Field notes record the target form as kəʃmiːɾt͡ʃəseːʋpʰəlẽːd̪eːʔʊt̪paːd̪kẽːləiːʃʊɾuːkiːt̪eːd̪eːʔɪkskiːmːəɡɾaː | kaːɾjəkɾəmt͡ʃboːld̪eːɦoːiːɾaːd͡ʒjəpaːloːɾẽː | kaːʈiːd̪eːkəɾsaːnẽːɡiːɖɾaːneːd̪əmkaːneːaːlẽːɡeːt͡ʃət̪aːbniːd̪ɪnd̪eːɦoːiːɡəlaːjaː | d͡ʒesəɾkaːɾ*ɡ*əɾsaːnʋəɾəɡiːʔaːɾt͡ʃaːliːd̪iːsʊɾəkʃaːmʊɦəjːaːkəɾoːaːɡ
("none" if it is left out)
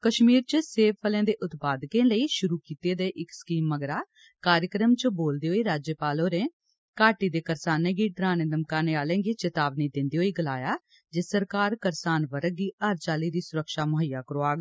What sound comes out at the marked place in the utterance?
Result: k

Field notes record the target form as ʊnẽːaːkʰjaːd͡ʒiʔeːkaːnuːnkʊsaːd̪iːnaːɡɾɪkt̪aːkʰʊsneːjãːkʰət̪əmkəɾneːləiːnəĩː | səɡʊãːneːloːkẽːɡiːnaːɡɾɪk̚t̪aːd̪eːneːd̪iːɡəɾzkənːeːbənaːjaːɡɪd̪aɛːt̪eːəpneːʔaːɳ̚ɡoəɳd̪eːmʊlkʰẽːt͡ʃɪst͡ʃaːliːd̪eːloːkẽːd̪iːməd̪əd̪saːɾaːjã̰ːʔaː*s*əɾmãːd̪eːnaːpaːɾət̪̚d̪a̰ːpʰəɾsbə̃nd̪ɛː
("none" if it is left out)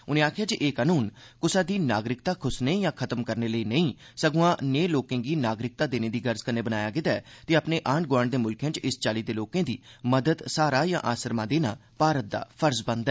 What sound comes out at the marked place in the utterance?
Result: s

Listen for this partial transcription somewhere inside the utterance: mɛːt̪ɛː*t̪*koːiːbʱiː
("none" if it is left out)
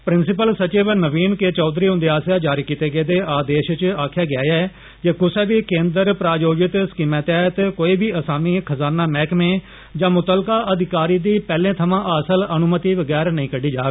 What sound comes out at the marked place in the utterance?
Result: t̪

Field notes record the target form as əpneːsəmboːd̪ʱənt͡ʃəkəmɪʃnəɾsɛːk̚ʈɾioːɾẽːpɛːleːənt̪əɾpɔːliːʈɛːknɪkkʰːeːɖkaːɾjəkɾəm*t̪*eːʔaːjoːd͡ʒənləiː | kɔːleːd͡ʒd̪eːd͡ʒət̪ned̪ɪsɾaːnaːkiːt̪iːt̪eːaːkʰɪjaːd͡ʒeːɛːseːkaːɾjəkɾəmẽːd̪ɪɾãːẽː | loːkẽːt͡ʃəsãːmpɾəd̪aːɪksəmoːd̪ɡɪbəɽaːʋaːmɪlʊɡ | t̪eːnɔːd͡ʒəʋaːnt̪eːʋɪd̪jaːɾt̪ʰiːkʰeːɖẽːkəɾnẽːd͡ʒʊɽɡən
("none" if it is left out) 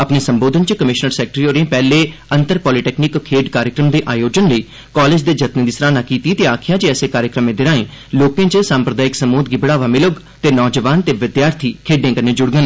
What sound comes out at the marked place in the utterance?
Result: d̪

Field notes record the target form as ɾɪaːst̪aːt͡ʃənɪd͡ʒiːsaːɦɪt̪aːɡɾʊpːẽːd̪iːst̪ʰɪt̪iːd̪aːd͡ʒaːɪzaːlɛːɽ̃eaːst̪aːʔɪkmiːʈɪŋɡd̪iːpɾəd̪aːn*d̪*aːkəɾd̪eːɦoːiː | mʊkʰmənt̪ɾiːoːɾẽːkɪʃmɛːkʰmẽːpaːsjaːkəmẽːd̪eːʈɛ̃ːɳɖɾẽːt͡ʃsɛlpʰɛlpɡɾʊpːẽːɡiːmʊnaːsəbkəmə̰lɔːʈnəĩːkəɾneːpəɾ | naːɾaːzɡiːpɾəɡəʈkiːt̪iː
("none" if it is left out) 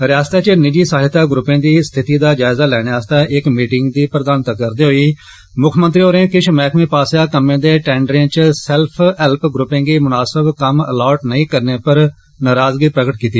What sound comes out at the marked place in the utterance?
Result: t̪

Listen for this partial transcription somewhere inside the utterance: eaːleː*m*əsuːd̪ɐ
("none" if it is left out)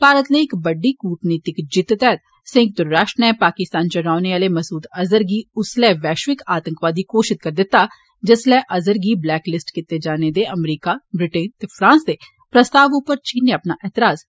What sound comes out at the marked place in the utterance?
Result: m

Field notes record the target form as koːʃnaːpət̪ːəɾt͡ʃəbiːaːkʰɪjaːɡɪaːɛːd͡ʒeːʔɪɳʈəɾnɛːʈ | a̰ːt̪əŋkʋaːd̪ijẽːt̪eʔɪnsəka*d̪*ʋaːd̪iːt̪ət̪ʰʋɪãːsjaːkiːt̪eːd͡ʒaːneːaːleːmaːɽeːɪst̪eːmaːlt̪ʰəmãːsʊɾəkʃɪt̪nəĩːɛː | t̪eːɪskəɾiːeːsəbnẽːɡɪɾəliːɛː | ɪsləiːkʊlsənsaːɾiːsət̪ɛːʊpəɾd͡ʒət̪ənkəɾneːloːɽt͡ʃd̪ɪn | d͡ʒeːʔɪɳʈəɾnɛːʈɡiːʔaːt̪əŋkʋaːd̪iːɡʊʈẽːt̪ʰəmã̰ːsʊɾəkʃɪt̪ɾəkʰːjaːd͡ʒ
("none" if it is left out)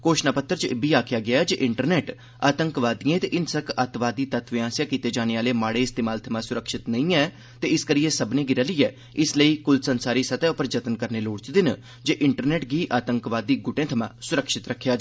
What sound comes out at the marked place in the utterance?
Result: t̪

